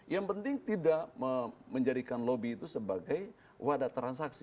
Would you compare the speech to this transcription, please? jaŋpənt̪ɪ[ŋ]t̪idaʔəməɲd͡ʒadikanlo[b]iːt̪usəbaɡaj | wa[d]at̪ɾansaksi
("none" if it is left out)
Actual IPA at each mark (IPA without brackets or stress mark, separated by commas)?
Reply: ŋ, b, d